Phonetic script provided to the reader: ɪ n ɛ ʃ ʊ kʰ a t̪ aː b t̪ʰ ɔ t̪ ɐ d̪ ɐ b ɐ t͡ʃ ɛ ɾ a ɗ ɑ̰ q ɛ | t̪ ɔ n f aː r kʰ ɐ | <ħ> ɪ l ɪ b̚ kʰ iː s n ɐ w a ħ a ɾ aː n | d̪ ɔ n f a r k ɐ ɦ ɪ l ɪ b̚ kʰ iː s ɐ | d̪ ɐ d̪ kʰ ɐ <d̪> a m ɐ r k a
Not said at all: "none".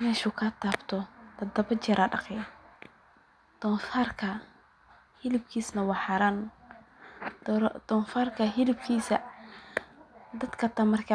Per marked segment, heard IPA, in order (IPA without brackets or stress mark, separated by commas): h, t̪